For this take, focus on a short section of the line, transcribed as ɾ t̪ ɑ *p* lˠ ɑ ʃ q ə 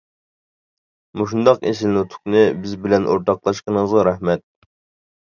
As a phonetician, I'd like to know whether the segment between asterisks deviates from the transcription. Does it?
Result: yes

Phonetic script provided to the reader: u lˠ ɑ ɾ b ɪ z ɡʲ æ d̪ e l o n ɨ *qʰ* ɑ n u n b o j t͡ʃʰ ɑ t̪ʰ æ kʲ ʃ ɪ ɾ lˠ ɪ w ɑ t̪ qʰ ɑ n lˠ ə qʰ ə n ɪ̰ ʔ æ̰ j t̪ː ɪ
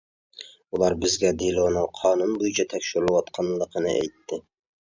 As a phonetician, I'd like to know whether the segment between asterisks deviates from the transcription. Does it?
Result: no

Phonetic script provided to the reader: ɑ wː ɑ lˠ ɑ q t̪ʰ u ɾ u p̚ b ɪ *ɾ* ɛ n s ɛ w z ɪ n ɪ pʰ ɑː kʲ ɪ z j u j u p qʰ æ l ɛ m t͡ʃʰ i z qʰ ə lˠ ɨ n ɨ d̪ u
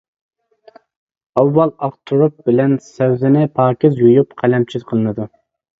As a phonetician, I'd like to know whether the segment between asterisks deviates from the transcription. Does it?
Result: yes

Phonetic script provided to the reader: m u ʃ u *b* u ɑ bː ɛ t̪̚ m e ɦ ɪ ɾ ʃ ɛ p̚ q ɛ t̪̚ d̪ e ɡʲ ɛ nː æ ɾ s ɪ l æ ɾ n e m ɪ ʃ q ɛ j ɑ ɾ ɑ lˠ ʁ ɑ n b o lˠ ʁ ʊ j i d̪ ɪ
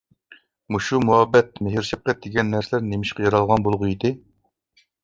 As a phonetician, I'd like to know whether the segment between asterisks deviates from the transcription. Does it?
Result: yes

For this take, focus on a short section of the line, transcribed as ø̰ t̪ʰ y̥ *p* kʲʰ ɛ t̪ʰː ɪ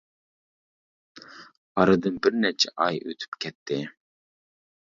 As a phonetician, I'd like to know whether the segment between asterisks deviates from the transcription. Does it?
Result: no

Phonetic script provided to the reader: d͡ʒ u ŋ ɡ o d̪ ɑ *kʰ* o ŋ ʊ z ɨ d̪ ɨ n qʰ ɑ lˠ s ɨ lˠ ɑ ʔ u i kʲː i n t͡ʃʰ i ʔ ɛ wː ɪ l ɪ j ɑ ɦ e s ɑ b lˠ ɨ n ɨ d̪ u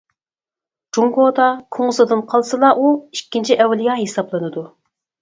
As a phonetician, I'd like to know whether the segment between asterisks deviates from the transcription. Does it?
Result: no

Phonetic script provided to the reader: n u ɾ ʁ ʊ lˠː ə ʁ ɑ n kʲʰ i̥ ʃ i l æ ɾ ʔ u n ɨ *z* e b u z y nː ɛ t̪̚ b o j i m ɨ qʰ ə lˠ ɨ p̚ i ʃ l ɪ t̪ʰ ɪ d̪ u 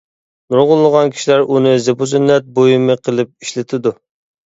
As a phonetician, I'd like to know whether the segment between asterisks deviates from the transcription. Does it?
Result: no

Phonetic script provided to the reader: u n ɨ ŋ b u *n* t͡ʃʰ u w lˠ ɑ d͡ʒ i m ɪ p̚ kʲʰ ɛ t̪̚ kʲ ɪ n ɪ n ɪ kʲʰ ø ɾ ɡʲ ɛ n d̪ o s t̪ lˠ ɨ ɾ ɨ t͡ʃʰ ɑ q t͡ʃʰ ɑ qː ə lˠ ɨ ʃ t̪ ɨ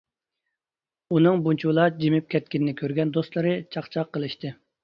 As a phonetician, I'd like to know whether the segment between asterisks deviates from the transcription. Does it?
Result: no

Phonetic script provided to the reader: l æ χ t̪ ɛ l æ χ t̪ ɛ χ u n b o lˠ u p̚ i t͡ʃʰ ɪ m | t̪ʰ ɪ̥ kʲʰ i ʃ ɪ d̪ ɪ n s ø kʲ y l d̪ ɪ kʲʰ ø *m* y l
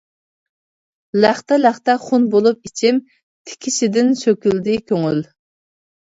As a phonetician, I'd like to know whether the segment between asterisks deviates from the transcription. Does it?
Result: yes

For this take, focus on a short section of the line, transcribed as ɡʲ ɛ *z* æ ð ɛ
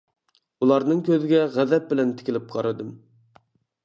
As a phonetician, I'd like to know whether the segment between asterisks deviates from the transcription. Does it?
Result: yes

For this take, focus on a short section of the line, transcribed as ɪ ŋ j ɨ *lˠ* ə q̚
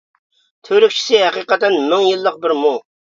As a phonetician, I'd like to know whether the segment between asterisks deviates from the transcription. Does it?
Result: yes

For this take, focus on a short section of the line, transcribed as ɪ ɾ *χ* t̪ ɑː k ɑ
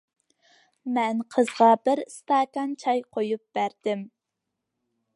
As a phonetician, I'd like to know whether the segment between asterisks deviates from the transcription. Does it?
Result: yes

